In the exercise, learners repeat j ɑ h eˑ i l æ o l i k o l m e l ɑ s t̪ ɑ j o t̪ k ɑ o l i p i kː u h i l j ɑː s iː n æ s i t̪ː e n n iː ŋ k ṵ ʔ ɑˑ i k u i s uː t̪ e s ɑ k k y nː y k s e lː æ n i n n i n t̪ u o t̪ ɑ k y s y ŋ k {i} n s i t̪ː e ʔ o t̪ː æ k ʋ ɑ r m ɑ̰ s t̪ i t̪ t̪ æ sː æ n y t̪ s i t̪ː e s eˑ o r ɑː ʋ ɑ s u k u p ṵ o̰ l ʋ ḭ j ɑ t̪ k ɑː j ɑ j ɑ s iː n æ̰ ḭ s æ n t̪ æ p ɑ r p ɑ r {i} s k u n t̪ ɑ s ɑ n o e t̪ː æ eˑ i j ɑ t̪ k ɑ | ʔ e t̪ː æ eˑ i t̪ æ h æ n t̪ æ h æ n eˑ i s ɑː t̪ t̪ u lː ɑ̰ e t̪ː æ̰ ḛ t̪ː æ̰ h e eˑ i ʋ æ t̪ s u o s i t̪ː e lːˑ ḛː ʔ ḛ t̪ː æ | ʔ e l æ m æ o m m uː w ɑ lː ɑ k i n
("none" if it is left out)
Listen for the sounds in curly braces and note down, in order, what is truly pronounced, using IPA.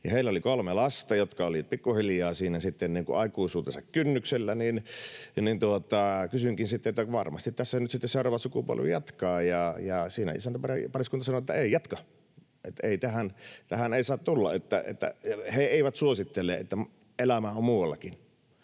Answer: i, i

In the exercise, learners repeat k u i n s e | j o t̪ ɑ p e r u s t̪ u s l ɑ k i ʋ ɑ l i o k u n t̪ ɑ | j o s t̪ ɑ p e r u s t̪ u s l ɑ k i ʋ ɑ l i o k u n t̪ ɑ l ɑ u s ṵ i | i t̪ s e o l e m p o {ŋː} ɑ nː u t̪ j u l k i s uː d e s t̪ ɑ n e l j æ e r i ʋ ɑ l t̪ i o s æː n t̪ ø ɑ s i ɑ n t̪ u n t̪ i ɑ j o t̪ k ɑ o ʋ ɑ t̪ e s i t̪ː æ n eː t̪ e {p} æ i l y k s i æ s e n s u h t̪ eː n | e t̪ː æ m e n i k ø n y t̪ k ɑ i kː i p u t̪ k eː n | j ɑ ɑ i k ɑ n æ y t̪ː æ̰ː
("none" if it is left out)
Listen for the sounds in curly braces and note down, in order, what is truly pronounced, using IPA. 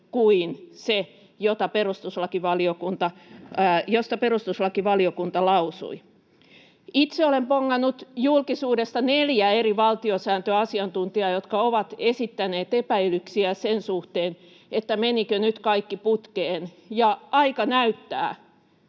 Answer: ŋː, p

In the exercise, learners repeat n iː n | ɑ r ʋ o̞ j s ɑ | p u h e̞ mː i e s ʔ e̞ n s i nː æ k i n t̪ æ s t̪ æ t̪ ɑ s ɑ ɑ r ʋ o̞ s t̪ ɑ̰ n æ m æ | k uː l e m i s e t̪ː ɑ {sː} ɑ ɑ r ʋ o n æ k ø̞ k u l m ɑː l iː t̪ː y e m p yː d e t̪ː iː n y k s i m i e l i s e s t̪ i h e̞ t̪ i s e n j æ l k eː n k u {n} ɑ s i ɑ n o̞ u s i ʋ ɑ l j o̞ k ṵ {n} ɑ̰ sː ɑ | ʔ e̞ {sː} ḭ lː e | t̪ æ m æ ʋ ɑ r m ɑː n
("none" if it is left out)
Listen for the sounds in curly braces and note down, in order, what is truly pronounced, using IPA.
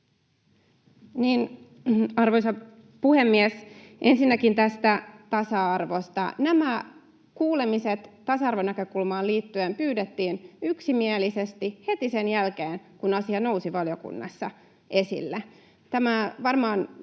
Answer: s, n, nː, s

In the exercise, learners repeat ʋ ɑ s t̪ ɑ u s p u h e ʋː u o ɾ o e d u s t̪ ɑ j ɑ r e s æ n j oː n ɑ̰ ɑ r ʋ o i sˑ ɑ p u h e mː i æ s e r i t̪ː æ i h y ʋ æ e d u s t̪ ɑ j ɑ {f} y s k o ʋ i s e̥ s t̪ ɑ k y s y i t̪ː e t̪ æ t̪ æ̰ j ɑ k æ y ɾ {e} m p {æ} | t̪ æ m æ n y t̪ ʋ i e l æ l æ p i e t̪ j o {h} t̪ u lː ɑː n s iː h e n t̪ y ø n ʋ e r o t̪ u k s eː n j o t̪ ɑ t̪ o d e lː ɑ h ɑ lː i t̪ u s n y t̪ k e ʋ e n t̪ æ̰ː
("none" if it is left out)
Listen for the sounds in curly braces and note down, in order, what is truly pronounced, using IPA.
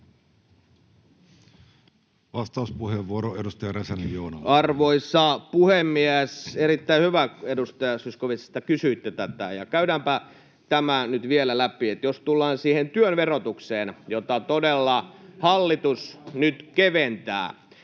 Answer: s, æ, æ, s

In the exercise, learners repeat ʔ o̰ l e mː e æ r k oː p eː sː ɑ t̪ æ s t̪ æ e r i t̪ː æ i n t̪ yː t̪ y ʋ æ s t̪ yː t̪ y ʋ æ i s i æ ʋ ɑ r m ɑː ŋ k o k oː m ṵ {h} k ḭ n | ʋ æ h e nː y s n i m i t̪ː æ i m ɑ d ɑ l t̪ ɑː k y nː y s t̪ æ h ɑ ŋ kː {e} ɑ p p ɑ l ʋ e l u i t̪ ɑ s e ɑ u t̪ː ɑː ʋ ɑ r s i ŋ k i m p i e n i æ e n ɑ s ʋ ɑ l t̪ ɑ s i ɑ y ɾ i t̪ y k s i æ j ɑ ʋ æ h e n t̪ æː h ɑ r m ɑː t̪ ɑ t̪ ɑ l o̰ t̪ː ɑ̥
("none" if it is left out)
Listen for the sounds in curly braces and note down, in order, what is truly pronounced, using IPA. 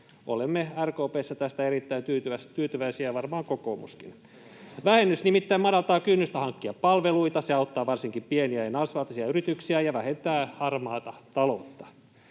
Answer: s, i

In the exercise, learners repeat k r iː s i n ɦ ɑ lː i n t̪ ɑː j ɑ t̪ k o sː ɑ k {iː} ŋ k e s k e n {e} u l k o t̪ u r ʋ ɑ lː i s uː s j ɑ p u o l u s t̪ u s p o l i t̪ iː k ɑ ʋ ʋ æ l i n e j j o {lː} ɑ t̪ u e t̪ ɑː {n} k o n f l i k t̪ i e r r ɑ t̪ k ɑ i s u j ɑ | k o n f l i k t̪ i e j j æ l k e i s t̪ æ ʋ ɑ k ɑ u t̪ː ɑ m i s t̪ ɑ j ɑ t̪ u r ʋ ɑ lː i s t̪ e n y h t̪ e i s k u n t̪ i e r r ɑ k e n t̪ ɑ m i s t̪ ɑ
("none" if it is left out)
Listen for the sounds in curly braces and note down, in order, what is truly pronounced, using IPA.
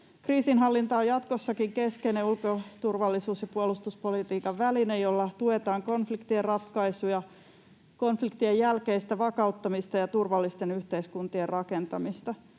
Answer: i, e, lː, ŋ

